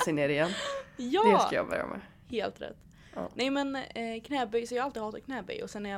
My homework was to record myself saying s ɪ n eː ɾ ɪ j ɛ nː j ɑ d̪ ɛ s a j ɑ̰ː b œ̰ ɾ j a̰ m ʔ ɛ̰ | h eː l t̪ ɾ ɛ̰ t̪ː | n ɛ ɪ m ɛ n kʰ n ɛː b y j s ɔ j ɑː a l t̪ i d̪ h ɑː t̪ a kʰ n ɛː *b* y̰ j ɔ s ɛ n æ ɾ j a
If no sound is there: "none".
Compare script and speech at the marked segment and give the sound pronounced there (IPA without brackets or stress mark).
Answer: b